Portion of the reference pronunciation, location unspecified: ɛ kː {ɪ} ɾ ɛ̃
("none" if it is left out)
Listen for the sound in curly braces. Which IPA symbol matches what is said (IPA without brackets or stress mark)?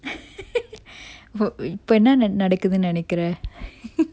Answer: ɪ